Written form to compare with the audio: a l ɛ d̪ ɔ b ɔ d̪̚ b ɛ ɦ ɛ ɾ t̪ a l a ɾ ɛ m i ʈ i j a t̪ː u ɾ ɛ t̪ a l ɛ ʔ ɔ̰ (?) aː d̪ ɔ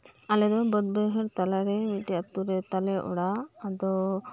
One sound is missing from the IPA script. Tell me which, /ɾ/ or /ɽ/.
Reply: ɽ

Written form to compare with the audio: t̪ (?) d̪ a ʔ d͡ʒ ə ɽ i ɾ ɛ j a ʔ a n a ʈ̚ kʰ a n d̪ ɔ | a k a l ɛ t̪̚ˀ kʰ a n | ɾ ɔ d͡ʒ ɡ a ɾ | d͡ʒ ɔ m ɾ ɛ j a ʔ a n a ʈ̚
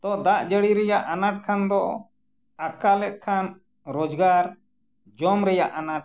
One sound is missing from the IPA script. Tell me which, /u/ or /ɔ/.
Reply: ɔ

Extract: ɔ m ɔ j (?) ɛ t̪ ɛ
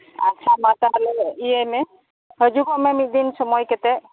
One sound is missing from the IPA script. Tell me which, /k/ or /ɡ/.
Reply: k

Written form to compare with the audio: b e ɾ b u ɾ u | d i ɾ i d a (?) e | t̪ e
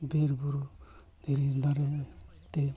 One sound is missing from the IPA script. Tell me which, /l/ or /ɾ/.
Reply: ɾ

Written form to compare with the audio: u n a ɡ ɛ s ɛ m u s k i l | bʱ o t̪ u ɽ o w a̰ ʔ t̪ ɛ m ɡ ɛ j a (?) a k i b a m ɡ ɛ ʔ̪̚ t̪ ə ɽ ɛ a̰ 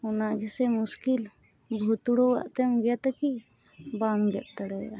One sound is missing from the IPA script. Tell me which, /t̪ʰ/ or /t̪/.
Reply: t̪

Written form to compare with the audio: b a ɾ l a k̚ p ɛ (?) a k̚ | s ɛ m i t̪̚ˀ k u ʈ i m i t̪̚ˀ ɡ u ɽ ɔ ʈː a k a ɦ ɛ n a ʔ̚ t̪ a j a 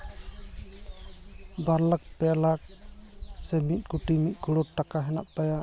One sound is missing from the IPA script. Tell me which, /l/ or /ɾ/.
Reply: l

